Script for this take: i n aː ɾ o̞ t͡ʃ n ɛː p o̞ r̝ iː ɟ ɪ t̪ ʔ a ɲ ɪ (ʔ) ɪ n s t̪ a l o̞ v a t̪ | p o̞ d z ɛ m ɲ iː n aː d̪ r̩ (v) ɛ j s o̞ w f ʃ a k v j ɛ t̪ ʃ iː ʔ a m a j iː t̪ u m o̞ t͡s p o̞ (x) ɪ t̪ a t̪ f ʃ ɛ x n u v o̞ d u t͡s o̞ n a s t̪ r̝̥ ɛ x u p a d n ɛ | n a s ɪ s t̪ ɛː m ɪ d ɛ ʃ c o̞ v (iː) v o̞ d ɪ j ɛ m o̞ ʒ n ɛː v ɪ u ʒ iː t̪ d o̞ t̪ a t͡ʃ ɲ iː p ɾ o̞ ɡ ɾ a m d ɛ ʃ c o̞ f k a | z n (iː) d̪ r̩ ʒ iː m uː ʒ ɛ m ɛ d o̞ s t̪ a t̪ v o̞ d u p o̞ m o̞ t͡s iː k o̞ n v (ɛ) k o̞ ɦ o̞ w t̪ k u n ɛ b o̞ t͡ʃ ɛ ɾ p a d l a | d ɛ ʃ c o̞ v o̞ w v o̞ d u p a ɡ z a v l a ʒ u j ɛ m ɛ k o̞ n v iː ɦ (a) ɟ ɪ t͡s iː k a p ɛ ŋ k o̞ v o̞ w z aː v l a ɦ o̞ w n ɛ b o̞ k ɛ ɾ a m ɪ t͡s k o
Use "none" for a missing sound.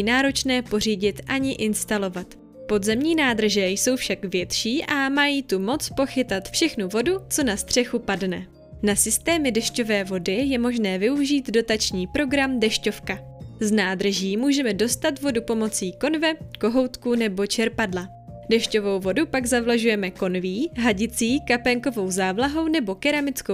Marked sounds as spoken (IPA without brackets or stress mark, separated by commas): ʔ, ʒ, x, ɛː, aː, ɛ, a